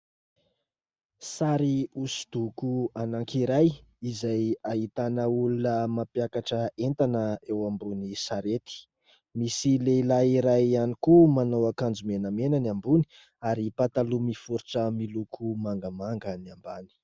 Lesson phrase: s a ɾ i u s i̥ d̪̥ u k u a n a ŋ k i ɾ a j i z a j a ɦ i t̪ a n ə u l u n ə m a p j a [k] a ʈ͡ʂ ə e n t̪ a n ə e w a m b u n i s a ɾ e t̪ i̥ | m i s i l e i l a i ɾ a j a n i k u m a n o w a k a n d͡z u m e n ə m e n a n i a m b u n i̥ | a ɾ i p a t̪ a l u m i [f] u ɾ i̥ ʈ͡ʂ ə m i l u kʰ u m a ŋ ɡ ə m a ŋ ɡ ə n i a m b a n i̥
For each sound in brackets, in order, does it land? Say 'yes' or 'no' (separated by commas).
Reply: yes, yes